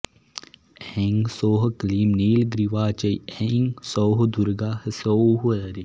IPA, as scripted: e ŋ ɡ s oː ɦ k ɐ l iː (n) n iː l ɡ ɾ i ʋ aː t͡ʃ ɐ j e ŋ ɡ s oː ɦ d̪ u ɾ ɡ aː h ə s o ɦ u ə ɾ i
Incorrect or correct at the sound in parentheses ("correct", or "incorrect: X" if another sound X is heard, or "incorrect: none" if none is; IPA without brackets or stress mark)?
incorrect: m